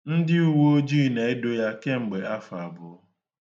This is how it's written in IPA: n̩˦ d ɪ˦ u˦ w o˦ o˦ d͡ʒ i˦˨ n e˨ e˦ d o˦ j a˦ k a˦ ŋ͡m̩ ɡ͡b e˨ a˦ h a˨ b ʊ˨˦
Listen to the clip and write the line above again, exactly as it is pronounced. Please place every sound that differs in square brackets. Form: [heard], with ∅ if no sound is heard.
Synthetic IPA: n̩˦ d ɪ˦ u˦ w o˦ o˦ d͡ʒ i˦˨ n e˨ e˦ d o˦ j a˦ k [e˦] ŋ͡m̩ ɡ͡b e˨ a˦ [f] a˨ b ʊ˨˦